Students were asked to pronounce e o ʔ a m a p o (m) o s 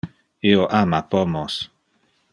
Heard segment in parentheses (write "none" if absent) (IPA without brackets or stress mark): m